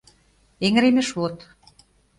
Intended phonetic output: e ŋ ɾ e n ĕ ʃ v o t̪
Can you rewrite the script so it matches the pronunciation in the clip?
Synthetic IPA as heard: e ŋ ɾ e m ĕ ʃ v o t̪